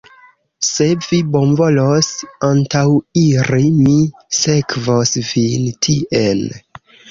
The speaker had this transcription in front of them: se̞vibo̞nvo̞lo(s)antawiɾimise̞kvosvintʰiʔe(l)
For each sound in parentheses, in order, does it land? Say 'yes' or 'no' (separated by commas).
yes, yes